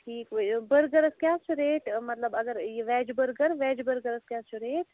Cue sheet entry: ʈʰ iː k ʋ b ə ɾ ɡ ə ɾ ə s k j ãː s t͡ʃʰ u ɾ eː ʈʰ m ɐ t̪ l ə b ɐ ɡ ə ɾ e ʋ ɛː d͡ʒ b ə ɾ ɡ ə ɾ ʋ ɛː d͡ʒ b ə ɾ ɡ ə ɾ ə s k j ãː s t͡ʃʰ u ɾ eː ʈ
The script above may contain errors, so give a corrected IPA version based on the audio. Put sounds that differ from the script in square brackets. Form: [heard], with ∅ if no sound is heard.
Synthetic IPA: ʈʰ iː k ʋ b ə ɾ ɡ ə ɾ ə s k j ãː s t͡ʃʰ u ɾ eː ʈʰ m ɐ t̪ l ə b ɐ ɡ ə ɾ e ʋ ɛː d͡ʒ b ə ɾ ɡ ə ɾ ʋ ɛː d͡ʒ b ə ɾ ɡ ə ɾ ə s k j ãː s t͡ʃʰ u ɾ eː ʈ